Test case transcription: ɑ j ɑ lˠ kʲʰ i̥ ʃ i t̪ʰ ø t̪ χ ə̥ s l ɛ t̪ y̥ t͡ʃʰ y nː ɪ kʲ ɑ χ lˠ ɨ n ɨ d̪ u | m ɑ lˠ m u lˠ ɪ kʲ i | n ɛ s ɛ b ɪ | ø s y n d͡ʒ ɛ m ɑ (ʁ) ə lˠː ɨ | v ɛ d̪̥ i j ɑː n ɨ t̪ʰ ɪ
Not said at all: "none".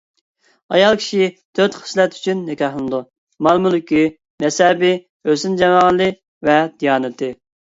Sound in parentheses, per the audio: ʁ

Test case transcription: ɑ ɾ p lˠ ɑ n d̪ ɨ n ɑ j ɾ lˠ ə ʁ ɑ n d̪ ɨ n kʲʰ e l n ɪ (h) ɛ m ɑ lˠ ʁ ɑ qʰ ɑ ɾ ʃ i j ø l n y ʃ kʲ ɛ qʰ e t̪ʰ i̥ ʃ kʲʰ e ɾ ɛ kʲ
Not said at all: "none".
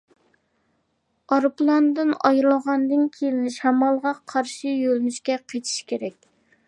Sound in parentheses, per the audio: ʃ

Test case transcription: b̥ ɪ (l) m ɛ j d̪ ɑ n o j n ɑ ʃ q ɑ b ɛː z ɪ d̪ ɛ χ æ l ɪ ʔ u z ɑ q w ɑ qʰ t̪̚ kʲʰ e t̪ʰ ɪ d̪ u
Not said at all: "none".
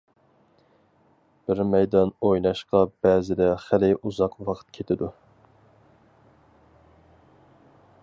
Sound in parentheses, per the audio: ɾ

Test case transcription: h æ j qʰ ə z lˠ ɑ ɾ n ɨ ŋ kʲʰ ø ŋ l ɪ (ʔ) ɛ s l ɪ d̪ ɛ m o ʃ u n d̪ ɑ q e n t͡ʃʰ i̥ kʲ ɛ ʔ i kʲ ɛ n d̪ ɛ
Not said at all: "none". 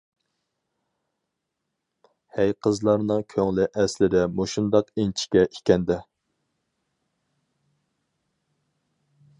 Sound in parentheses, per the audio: ʔ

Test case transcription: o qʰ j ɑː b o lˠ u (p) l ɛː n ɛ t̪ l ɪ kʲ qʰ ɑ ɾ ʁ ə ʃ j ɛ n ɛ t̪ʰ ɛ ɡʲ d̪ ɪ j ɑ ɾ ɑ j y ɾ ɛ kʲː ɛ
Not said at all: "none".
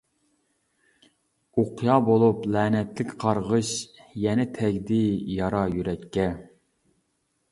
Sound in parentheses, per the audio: p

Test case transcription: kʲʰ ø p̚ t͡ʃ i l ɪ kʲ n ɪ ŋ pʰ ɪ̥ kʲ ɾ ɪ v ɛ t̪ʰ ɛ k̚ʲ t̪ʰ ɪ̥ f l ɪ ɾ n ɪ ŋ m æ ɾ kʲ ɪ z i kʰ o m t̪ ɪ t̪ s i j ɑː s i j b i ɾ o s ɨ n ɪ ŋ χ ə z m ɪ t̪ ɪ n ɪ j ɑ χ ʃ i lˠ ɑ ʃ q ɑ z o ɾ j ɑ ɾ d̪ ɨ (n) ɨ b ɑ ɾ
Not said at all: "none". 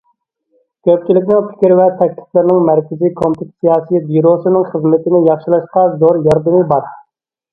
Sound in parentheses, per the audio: m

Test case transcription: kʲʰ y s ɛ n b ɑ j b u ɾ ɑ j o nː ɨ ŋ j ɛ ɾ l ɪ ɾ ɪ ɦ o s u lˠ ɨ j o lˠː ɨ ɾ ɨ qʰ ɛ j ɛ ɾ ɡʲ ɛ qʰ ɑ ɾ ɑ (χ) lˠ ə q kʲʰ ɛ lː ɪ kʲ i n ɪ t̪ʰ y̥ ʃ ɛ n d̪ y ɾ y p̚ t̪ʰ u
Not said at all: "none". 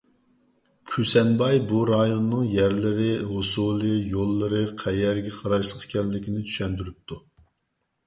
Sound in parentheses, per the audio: ʃ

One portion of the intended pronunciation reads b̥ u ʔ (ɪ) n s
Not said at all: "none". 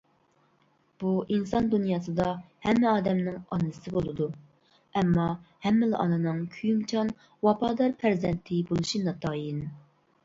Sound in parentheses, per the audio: i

